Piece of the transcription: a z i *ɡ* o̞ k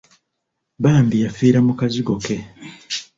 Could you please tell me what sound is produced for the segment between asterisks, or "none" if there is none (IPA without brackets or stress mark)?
ɡ